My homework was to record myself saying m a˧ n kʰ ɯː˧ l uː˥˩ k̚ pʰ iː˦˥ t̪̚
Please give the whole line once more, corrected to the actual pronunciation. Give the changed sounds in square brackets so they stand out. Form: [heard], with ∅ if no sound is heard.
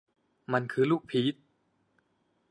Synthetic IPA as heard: m a˧ n kʰ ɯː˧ l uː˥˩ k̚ pʰ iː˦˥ t̪̚